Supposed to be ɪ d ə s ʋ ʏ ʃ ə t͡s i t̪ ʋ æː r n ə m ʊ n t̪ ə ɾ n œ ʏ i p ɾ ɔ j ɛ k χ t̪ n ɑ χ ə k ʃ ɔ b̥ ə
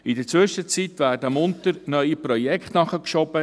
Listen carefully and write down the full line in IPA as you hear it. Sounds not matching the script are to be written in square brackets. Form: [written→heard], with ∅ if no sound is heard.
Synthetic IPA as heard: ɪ d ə [s→t͡s] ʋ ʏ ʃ ə t͡s i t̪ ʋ æː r [n→d] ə m ʊ n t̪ ə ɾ n œ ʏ i p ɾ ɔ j ɛ k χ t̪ n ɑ χ ə k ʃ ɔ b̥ ə